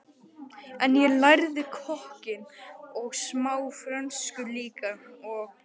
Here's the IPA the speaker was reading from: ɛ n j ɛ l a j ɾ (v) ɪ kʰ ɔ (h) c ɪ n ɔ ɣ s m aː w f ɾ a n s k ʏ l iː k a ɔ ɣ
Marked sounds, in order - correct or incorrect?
incorrect: ð, correct

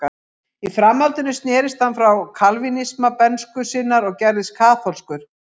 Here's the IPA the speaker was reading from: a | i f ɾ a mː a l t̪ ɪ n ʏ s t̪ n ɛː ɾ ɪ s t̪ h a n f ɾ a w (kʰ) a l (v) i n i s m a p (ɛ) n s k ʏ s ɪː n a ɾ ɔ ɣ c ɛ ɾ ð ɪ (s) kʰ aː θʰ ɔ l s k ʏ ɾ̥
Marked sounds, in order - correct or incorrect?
correct, correct, correct, correct

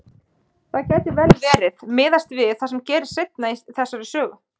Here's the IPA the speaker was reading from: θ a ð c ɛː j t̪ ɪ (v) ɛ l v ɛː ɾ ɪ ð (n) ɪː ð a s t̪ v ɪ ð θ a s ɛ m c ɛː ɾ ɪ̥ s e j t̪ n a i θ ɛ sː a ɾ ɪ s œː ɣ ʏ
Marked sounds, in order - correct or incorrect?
correct, incorrect: m

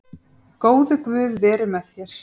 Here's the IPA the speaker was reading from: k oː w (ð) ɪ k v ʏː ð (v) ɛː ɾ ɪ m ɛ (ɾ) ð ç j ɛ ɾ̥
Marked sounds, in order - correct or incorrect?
correct, correct, incorrect: none

